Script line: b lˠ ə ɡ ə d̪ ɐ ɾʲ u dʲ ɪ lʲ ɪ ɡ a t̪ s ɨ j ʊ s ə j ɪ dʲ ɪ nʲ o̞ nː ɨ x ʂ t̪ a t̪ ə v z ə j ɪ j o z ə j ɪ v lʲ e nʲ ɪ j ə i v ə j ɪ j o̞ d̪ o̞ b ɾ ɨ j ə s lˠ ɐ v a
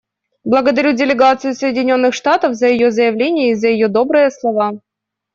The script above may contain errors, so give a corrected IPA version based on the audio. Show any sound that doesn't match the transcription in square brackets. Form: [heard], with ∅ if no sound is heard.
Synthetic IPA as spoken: b lˠ ə ɡ ə d̪ ɐ ɾʲ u dʲ ɪ lʲ ɪ ɡ a t̪ s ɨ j ʊ s ə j ɪ dʲ ɪ nʲ o̞ nː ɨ x ʂ t̪ a t̪ ə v z ə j ɪ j o z ə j ɪ v lʲ e nʲ ɪ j ə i [z] ə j ɪ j o̞ d̪ o̞ b ɾ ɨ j ə s lˠ ɐ v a